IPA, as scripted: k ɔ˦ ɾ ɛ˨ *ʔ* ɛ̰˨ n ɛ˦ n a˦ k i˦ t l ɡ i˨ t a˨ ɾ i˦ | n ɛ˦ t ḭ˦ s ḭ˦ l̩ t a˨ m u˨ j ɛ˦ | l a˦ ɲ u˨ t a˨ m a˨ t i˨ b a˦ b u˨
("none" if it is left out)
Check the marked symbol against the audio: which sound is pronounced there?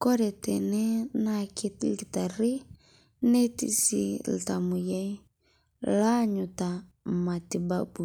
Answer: t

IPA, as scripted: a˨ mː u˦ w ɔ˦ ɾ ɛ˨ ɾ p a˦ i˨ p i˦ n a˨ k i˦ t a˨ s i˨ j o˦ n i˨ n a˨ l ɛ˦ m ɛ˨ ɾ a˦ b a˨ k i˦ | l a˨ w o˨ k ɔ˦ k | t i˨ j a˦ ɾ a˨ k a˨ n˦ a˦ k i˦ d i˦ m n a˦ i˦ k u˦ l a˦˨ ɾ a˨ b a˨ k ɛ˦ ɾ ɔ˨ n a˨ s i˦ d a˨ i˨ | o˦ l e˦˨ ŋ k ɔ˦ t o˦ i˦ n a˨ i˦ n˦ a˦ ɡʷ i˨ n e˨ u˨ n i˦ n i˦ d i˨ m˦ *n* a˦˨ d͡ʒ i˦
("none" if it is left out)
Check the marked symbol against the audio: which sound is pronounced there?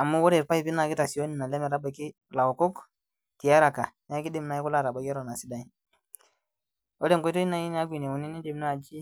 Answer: n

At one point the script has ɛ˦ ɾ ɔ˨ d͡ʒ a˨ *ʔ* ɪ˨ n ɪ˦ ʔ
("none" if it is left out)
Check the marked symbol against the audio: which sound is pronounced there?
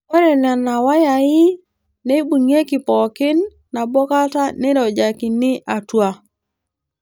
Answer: k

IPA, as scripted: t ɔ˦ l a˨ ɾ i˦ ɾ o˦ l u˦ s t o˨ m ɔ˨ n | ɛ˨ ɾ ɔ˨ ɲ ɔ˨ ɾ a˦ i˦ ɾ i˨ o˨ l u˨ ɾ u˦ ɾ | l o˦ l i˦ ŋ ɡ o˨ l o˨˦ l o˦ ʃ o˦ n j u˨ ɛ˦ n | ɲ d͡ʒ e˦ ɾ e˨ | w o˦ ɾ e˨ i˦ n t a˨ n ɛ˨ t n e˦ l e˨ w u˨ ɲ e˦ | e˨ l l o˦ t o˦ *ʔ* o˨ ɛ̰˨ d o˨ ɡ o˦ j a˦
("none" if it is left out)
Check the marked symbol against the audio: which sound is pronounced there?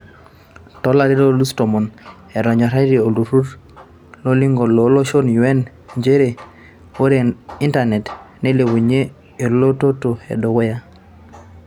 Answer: t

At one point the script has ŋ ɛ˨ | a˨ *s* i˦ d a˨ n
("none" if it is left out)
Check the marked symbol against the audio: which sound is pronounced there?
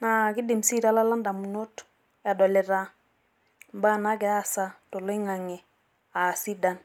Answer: s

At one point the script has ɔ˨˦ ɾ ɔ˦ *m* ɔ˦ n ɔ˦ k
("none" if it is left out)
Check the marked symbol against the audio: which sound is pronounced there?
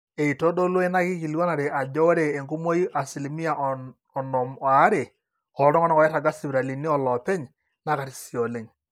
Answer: ŋ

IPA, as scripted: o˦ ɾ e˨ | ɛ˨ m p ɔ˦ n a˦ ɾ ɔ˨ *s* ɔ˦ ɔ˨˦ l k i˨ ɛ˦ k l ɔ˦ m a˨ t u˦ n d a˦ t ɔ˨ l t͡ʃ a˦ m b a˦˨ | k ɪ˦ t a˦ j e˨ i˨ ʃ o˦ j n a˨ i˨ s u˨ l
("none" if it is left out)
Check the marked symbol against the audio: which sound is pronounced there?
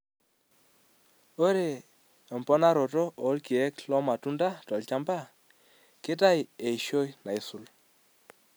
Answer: t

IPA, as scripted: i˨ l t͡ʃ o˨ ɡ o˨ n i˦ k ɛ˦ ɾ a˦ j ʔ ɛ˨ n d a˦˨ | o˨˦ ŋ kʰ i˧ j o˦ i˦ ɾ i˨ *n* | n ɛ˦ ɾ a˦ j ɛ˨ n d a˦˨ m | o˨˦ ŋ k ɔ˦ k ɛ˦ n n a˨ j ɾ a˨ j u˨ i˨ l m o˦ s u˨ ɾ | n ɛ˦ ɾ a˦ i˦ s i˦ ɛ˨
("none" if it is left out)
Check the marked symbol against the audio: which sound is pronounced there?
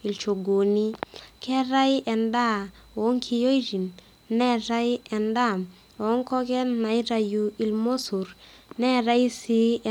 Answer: n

